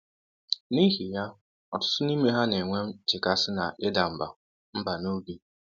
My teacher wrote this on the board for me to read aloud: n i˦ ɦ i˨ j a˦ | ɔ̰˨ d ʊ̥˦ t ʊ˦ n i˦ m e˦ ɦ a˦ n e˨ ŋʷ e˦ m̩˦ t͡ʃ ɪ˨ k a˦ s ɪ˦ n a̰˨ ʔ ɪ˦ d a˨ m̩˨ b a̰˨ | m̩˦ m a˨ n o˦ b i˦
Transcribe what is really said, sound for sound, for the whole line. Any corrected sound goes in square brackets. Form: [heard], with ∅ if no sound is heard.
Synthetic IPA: n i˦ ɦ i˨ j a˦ | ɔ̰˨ [t] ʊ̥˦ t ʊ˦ n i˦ m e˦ ɦ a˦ n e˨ ŋʷ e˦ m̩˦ t͡ʃ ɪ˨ k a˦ s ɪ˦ n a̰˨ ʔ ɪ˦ d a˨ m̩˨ b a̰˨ | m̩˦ [b] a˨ n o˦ b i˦